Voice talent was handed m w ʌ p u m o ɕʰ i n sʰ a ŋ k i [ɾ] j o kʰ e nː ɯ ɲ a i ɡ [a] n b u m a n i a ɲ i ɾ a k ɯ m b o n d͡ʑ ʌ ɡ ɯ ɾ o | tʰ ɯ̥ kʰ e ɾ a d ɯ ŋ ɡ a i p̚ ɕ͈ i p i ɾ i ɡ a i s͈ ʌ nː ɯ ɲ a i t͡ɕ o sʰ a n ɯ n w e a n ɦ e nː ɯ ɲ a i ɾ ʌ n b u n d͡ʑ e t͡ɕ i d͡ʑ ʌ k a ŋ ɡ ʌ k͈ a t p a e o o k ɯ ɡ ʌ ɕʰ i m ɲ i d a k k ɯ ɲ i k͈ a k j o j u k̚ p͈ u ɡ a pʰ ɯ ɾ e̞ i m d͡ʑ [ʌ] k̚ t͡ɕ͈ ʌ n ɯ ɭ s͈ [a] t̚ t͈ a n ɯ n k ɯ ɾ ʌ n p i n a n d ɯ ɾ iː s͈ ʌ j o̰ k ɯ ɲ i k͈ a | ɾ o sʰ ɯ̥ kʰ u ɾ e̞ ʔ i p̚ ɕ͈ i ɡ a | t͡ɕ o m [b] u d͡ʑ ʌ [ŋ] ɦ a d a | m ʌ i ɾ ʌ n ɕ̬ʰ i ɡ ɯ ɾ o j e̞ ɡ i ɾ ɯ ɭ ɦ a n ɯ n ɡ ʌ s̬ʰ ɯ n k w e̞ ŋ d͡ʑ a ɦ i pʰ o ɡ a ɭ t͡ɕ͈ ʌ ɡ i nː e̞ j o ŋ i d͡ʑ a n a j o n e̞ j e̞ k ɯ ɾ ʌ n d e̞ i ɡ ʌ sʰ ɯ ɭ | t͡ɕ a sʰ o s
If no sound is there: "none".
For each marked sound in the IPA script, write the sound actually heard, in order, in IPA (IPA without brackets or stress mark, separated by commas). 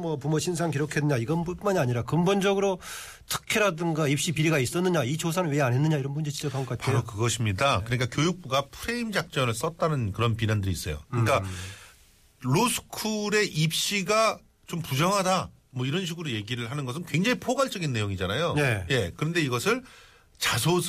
ɾ, ʌ, a, ʌ, p, ŋ